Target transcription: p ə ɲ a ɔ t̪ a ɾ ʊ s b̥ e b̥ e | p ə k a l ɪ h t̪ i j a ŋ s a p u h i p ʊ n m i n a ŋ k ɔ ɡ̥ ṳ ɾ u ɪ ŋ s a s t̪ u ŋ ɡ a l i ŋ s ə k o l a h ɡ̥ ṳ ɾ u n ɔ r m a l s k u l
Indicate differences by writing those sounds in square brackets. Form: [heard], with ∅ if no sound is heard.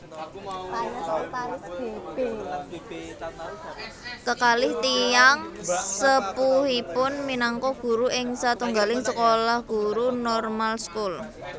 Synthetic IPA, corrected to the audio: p [a] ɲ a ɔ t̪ a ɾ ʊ s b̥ e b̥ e | [k] ə k a l ɪ h t̪ i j a ŋ s [ə] p u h i p ʊ n m i n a ŋ k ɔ ɡ̥ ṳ ɾ u ɪ ŋ s a [∅] t̪ u ŋ ɡ a l [ɪ] ŋ s ə k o l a h ɡ̥ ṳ ɾ u n ɔ r m a l s k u l